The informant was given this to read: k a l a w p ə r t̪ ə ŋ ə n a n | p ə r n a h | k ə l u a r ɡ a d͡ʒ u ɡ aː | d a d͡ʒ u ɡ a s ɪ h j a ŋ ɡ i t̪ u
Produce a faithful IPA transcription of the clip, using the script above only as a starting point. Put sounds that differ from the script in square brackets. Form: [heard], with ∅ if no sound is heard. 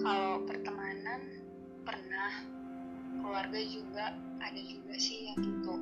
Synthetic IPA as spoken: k a l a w p ə r t̪ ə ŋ [a] n a n | p ə r n a h | k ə l u a r ɡ a d͡ʒ u ɡ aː | d a d͡ʒ u ɡ a s ɪ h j a ŋ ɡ i t̪ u